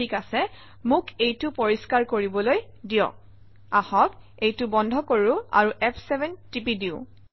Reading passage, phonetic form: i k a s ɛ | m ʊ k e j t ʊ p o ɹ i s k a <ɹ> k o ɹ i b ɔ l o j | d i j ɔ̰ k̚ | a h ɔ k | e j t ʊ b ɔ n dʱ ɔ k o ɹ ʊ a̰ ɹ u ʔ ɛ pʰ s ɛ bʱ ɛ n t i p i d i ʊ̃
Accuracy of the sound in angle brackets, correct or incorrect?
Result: correct